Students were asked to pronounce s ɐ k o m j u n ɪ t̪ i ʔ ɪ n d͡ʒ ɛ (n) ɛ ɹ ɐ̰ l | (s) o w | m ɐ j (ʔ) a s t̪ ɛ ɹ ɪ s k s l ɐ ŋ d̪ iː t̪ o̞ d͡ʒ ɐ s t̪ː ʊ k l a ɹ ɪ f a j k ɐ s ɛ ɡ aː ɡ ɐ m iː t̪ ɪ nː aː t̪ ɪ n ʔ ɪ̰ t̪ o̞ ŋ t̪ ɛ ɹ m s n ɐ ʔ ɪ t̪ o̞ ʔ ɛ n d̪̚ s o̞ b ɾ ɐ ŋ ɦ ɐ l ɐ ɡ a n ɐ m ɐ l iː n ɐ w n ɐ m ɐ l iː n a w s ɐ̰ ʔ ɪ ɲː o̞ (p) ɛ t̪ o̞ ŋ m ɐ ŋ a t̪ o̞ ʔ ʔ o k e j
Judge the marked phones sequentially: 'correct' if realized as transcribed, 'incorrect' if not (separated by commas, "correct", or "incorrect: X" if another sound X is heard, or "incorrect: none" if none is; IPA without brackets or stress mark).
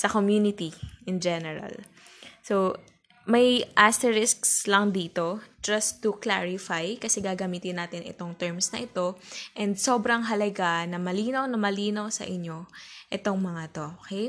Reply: correct, correct, correct, incorrect: ʔ